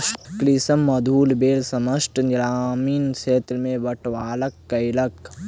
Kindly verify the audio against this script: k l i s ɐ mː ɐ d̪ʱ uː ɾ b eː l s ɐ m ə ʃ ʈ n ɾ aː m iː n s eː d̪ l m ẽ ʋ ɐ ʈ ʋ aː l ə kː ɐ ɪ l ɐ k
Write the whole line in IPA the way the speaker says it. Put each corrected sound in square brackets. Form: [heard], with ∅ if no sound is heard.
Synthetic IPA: k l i s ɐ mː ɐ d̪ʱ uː [l] b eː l s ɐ m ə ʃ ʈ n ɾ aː m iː n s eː [t̪] l m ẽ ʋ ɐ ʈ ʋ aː l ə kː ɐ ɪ l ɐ k